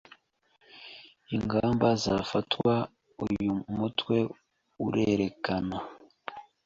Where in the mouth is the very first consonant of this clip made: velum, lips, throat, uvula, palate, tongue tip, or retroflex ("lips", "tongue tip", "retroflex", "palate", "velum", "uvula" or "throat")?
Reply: velum